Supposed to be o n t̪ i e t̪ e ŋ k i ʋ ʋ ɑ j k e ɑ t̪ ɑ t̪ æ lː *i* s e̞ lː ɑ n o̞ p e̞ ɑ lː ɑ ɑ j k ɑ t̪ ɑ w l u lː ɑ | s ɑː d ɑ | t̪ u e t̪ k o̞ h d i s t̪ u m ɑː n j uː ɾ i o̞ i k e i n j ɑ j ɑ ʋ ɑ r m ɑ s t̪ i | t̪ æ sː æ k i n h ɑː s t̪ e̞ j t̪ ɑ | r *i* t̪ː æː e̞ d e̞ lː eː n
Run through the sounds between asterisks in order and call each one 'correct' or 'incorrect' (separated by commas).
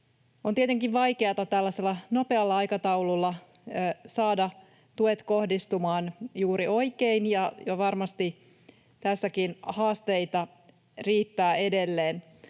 incorrect, incorrect